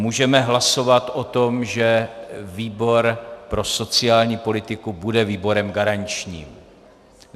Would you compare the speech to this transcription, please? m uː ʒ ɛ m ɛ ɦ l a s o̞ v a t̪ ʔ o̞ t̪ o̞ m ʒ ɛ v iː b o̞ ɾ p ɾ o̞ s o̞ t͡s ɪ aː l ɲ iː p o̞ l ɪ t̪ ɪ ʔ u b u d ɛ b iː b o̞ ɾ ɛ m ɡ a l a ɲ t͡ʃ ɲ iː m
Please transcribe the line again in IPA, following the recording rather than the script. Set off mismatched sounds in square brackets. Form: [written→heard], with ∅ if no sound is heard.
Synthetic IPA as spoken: m uː ʒ ɛ m ɛ ɦ l a s o̞ v a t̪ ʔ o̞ t̪ o̞ m ʒ ɛ v iː b o̞ ɾ p ɾ o̞ s o̞ t͡s ɪ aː l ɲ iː p o̞ l ɪ t̪ ɪ [ʔ→k] u b u d ɛ [b→v] iː b o̞ ɾ ɛ m ɡ a [l→ɾ] a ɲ t͡ʃ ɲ iː m